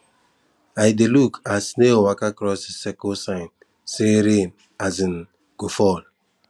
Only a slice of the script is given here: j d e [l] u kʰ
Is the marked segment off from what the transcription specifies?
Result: no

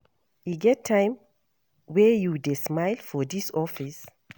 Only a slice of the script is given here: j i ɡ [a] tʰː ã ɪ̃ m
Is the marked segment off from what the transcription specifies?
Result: yes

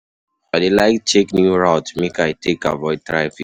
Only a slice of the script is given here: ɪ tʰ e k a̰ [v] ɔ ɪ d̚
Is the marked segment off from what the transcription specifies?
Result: no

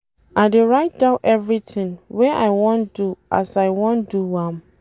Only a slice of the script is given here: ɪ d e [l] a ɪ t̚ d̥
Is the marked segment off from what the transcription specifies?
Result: yes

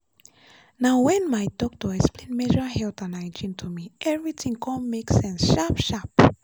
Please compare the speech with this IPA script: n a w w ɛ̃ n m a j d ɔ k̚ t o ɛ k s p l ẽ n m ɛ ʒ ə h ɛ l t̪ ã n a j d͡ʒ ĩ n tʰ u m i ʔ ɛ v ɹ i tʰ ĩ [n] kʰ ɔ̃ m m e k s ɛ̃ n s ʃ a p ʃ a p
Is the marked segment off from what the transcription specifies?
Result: yes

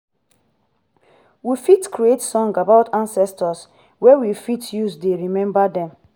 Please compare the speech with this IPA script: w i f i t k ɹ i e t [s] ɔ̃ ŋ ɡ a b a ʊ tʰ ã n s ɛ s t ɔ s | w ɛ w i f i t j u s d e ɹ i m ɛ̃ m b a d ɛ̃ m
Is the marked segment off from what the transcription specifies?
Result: no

